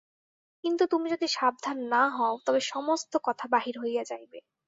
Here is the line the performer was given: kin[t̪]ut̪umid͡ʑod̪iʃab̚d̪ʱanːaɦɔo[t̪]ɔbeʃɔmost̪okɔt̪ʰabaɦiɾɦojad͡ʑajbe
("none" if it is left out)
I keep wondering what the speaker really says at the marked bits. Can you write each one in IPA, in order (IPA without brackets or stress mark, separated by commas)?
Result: t̪, t̪